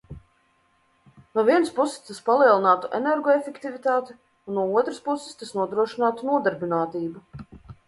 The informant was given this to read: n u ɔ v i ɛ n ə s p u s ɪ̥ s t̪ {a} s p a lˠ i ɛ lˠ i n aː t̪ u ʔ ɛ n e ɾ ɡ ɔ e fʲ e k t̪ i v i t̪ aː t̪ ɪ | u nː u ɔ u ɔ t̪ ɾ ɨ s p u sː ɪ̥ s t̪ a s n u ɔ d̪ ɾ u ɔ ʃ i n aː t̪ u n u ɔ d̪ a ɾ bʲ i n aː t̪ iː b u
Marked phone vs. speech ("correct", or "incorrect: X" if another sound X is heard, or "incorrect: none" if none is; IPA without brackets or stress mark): correct